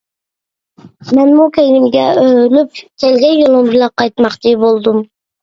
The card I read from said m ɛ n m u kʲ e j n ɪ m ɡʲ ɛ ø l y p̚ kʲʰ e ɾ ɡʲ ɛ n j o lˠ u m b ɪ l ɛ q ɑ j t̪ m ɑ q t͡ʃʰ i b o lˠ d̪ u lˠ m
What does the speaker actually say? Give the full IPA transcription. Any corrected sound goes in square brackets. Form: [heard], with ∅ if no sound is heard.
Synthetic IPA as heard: m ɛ n m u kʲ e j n ɪ m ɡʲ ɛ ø l y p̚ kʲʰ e [l] ɡʲ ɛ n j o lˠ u m b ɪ l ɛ q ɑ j t̪ m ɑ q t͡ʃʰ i b o lˠ d̪ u [∅] m